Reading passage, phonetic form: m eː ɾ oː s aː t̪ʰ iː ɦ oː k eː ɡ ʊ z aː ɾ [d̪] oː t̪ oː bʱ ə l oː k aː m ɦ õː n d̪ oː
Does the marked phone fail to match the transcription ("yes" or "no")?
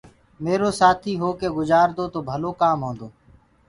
no